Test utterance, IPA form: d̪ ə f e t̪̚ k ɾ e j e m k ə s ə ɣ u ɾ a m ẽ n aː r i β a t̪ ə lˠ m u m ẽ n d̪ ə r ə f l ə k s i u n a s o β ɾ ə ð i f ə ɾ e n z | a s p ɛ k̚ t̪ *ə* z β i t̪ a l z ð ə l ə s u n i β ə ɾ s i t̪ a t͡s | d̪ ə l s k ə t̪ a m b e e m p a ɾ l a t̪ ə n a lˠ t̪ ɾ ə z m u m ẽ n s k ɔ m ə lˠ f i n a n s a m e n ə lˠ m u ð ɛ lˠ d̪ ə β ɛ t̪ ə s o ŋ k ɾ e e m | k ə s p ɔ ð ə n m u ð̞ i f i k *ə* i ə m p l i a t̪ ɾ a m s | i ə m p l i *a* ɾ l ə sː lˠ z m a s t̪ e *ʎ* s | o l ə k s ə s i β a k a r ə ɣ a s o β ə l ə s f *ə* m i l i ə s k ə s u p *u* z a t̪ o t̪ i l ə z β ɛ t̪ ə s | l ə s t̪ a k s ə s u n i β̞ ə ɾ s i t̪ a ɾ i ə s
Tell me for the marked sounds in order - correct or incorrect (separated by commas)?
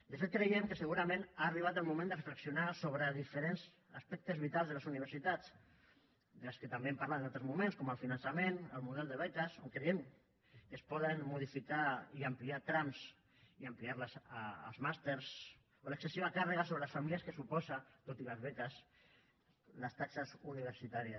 correct, incorrect, correct, incorrect, incorrect, incorrect